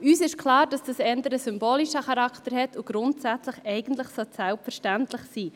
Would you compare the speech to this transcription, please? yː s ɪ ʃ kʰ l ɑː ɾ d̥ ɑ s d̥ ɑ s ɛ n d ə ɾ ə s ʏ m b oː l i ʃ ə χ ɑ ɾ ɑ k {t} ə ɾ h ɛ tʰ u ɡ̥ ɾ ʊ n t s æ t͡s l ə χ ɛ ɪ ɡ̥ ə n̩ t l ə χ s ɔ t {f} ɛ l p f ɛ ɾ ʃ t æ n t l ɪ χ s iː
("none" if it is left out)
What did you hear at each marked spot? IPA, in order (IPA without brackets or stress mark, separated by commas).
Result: t, s